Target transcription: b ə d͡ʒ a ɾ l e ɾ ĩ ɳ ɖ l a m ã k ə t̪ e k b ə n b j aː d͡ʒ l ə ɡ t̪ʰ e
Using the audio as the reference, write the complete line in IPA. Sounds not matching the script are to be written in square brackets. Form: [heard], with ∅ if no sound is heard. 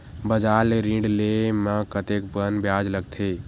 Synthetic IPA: b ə d͡ʒ a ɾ l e ɾ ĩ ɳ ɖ l [e] m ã k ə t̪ e k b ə n b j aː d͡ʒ l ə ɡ t̪ʰ e